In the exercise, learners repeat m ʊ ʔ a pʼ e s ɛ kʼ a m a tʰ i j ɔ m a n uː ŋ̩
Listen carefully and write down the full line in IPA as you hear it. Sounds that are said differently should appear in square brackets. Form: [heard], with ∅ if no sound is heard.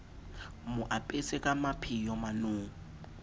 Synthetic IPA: m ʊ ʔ a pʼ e s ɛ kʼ a m a [pʰ] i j ɔ m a n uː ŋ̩